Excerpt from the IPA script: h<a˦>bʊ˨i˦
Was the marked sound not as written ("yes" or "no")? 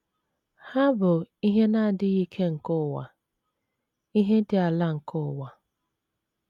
no